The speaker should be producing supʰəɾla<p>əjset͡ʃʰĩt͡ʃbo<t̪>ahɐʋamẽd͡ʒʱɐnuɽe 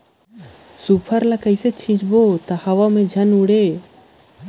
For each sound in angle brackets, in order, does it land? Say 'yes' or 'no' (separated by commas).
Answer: no, yes